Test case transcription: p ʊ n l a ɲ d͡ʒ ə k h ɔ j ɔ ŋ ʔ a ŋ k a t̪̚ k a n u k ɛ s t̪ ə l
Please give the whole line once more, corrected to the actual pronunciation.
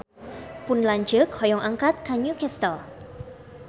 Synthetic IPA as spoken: p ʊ n l a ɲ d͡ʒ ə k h ɔ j ɔ ŋ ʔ a ŋ k a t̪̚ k a ɲ u k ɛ s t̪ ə l